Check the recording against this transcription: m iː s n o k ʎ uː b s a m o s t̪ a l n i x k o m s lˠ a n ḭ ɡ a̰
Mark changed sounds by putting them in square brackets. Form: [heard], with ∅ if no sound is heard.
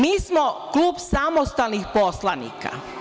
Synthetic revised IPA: m iː s [m] o k [l] uː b s a m o s t̪ a l n i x [p] o [∅] s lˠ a n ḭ [k] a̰